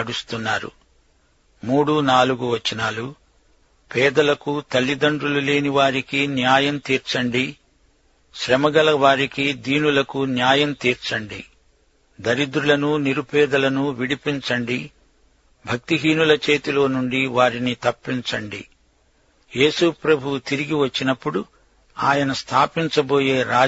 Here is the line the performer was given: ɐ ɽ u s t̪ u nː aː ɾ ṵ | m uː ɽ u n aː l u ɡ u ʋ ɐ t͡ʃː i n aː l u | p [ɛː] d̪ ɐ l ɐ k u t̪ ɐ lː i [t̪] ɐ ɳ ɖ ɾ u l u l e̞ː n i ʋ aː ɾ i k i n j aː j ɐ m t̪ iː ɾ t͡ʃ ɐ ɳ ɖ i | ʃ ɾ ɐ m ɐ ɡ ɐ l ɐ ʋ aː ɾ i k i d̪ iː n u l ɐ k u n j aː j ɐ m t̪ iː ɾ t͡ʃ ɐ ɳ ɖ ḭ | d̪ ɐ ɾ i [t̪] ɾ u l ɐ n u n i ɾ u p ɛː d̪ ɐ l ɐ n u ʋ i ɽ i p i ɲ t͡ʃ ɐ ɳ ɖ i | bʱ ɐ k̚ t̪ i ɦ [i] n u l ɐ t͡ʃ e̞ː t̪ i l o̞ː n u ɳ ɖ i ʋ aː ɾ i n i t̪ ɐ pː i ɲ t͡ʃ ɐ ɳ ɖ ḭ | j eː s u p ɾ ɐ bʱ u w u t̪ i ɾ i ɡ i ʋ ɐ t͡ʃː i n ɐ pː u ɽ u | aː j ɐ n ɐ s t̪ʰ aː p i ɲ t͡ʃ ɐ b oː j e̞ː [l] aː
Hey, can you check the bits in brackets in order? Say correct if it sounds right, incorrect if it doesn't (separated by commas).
correct, incorrect, incorrect, incorrect, incorrect